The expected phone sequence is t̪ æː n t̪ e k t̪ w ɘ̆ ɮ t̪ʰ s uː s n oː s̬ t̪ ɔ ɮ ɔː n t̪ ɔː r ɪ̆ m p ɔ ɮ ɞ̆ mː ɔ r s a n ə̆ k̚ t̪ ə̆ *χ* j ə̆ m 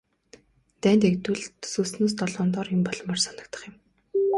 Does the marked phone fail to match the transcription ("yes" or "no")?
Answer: no